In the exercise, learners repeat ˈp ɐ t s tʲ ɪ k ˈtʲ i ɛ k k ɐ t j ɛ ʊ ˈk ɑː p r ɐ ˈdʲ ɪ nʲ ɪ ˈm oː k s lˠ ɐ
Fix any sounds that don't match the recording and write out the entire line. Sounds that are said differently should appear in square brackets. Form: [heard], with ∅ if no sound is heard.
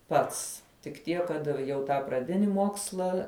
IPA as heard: ˈp ɐ t s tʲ ɪ k ˈtʲ i ɛ k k ɐ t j ɛ ʊ [ˈt] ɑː p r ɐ ˈdʲ ɪ nʲ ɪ ˈm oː k s lˠ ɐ

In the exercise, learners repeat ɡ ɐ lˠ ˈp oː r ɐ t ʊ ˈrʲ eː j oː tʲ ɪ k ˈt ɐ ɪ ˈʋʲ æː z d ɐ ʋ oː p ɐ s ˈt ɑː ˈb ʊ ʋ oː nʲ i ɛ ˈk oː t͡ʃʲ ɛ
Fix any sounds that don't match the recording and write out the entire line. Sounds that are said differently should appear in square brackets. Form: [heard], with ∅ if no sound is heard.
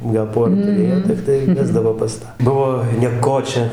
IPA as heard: ɡ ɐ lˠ ˈp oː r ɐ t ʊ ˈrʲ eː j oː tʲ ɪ k ˈt ɐ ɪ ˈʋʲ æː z d ɐ ʋ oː p ɐ s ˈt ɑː ˈb ʊ ʋ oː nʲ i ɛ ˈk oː t͡ʃʲ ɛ

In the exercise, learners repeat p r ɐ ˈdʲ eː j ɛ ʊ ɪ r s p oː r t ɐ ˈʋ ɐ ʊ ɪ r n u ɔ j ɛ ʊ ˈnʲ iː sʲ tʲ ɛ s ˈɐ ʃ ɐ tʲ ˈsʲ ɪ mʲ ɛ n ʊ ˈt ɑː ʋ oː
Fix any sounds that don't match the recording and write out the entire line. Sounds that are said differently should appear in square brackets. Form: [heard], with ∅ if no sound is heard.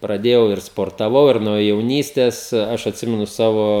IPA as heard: p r ɐ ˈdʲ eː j ɛ ʊ ɪ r s p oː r t ɐ ˈʋ ɐ ʊ ɪ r n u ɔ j ɛ ʊ ˈnʲ iː sʲ tʲ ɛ s ˈɐ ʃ ɐ tʲ ˈsʲ ɪ mʲ ɛ n ʊ [ˈs] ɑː ʋ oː

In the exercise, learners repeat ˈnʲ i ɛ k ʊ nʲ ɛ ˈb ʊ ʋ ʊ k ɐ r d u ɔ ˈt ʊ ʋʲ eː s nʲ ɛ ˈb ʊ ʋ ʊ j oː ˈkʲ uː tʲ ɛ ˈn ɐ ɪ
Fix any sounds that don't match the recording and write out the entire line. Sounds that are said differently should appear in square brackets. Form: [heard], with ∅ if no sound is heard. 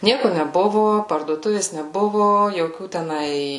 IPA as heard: ˈnʲ i ɛ k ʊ nʲ ɛ ˈb ʊ ʋ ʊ [p] ɐ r d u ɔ ˈt ʊ ʋʲ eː s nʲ ɛ ˈb ʊ ʋ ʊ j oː ˈkʲ uː tʲ ɛ ˈn ɐ ɪ

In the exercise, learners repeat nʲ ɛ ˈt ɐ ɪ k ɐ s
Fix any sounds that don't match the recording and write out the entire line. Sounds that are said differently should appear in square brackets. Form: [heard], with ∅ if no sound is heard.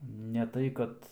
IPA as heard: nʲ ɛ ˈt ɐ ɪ k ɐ [t]

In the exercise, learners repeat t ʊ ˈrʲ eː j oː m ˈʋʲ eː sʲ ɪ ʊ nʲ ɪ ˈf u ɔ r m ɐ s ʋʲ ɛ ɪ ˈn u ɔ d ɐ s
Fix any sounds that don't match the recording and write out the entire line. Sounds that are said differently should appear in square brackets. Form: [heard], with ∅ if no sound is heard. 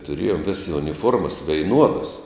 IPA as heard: t ʊ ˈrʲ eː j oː m ˈʋʲ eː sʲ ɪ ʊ nʲ ɪ ˈf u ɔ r m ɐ s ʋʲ ɛ ɪ ˈn u ɔ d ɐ s

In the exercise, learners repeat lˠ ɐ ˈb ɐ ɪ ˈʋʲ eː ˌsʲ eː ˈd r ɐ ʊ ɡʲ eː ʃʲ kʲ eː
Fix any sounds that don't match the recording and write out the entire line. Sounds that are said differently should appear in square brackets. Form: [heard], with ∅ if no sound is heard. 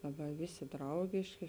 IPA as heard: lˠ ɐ ˈb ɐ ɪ ˈʋʲ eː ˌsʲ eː ˈd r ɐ ʊ ɡʲ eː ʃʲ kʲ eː

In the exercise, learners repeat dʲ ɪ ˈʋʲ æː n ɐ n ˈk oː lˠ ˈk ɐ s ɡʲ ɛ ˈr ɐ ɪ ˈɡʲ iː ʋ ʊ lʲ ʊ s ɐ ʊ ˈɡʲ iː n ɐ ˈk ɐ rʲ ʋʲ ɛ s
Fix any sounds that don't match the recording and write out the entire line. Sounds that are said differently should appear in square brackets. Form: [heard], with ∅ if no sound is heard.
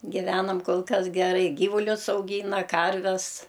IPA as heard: [ɡʲ] ɪ ˈʋʲ æː n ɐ [m] ˈk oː lˠ ˈk ɐ s ɡʲ ɛ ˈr ɐ ɪ ˈɡʲ iː ʋ ʊ lʲ ʊ s ɐ ʊ ˈɡʲ iː n ɐ ˈk ɐ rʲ ʋʲ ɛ s

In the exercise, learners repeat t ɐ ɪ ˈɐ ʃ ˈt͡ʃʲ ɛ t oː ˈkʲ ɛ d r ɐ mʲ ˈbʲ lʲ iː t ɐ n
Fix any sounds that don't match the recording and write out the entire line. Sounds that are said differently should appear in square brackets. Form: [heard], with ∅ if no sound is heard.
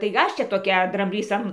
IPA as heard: t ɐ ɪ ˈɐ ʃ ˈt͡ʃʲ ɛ t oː ˈkʲ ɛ d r ɐ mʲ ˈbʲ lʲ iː [s] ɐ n

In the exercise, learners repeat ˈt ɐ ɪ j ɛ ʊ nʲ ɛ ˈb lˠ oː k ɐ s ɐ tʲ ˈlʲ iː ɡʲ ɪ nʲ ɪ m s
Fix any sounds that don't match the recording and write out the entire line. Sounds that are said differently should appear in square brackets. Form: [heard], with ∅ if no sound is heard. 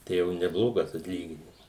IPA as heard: ˈt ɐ ɪ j ɛ ʊ nʲ ɛ ˈb lˠ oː [ɡ] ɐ s ɐ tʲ ˈlʲ iː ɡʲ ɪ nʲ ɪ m s

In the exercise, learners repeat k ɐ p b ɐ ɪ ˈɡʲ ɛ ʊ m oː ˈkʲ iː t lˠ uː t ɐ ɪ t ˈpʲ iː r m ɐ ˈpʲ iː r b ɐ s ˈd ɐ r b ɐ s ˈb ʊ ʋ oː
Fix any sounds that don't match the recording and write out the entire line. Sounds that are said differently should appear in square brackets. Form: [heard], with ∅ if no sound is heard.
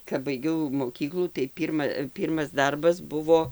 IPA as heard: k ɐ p b ɐ ɪ ˈɡʲ ɛ ʊ m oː ˈkʲ iː [k] lˠ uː t ɐ ɪ [∅] ˈpʲ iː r m ɐ ˈpʲ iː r [m] ɐ s ˈd ɐ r b ɐ s ˈb ʊ ʋ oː

